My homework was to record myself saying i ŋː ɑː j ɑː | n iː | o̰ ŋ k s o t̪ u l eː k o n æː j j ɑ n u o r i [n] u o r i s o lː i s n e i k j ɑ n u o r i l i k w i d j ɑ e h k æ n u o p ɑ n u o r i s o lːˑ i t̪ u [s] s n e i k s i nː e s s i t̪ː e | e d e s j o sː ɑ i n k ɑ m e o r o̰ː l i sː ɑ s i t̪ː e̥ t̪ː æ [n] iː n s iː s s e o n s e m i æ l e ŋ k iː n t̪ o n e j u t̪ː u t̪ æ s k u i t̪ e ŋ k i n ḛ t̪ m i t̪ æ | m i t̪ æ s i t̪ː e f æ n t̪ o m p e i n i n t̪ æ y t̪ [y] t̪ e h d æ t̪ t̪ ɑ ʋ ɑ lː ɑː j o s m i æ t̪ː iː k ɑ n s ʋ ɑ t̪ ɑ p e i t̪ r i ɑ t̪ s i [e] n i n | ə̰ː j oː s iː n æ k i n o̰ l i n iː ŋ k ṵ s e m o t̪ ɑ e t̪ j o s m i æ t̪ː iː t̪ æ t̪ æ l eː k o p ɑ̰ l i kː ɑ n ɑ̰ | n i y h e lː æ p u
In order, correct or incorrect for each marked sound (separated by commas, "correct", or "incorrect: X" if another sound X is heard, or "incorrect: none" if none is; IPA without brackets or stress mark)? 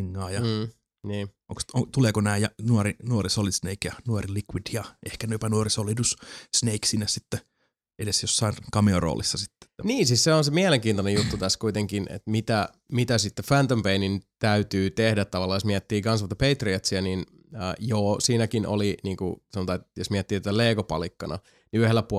correct, correct, correct, incorrect: yː, incorrect: æ